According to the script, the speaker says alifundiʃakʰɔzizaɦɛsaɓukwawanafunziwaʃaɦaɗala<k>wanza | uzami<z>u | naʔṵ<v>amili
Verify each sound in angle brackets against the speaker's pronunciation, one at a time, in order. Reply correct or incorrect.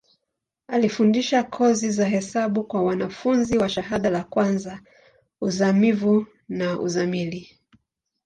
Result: correct, incorrect: v, incorrect: z

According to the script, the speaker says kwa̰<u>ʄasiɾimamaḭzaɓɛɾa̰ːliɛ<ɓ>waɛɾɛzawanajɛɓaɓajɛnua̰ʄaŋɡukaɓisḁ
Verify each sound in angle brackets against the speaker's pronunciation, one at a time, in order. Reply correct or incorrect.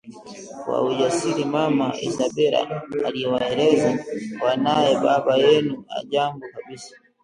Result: correct, incorrect: none

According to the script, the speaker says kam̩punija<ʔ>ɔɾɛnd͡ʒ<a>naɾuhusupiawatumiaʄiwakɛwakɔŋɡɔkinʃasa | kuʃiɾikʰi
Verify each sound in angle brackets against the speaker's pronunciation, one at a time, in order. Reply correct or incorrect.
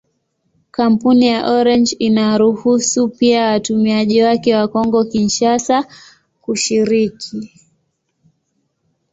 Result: correct, incorrect: i

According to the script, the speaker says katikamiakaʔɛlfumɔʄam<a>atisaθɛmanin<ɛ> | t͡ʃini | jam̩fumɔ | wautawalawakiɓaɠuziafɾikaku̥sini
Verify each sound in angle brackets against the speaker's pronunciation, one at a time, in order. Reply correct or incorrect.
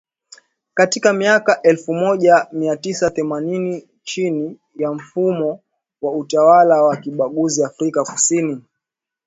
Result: incorrect: i, incorrect: i

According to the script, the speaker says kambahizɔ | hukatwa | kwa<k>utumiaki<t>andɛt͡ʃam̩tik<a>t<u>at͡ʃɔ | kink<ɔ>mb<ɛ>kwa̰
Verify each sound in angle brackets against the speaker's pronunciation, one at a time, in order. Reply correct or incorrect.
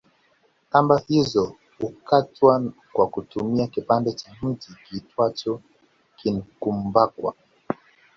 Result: correct, incorrect: p, incorrect: i, incorrect: w, incorrect: u, incorrect: a

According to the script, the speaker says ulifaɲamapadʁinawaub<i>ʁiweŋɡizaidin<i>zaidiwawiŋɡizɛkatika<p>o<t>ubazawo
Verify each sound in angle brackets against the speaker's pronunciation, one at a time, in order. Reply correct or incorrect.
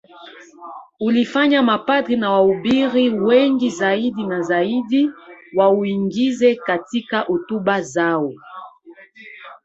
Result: correct, incorrect: a, incorrect: ʔ, correct

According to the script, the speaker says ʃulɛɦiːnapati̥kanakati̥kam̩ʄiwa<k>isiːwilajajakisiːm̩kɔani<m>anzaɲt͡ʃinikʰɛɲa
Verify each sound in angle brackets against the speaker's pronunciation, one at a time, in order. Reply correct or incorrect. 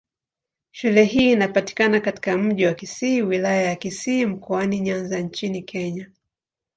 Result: correct, incorrect: ɲ

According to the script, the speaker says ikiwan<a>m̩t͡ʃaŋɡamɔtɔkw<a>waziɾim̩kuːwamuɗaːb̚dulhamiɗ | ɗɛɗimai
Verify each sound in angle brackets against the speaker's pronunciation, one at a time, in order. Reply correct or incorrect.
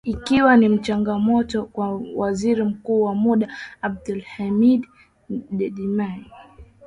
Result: incorrect: i, correct

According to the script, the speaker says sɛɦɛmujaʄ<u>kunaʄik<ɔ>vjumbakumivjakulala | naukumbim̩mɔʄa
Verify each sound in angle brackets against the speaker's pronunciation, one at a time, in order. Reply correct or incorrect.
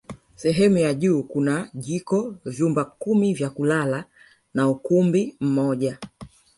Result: incorrect: uː, correct

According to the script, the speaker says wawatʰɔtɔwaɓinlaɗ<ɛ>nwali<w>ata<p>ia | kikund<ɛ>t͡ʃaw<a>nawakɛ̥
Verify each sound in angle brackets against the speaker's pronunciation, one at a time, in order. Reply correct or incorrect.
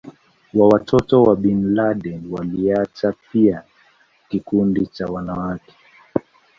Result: correct, incorrect: none, correct, incorrect: i, correct

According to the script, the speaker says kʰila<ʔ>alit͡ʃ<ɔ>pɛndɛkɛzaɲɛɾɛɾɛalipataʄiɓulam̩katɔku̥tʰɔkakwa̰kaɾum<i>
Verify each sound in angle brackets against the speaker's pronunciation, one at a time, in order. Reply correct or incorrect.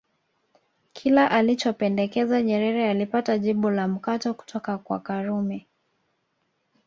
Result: correct, correct, incorrect: ɛ

